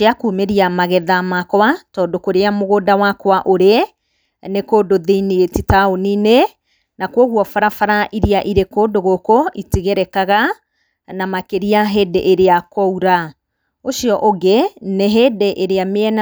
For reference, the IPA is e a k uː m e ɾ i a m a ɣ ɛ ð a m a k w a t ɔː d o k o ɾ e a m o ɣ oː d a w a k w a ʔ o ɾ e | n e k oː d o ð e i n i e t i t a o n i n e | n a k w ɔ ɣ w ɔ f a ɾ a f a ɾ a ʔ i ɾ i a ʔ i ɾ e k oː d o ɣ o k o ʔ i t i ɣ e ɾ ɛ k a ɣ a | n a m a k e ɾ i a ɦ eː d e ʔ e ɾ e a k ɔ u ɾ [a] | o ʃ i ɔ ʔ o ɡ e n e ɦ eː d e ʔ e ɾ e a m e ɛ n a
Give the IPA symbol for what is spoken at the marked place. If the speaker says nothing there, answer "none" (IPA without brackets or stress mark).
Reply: a